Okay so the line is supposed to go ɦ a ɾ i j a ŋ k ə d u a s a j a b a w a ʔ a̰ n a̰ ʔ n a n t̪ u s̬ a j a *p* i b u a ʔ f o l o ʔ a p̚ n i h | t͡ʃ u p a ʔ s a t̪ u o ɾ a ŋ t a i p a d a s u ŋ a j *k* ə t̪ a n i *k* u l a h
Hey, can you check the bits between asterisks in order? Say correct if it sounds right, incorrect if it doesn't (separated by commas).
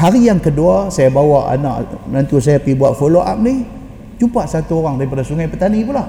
correct, incorrect, incorrect